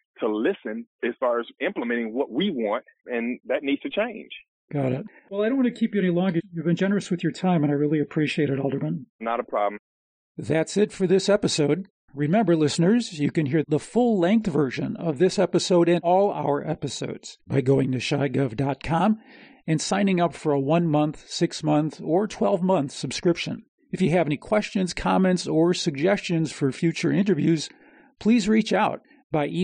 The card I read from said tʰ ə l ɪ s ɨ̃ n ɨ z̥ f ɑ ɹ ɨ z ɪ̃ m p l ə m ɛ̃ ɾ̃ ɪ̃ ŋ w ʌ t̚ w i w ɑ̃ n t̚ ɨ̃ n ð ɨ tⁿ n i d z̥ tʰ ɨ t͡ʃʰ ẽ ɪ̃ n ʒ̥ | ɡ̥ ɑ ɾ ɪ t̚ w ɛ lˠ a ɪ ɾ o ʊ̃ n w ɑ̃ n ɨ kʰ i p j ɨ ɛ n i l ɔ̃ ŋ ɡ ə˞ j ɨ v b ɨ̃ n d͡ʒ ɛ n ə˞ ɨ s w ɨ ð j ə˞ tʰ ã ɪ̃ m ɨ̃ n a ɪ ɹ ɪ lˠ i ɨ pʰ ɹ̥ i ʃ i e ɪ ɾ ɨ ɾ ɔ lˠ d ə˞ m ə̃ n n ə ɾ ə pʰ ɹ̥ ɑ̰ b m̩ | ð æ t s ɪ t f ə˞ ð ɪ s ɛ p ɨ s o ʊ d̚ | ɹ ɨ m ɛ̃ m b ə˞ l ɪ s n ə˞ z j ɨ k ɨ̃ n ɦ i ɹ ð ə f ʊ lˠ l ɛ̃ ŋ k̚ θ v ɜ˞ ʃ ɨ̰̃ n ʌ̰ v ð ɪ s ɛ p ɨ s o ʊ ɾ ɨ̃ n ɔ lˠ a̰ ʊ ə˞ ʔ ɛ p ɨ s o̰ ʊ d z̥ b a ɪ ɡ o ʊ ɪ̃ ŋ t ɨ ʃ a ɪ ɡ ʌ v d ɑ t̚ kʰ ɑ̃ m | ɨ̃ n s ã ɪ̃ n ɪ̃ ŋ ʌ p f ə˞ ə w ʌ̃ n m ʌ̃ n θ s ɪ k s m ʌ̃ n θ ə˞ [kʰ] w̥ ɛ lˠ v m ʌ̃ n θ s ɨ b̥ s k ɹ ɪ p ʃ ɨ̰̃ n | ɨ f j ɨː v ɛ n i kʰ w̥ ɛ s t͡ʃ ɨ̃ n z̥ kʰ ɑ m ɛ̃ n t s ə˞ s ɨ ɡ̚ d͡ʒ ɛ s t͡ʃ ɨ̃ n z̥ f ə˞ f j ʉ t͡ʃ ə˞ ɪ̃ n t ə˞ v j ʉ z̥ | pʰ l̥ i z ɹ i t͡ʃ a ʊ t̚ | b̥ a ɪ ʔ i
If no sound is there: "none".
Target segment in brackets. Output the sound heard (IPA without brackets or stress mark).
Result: tʰ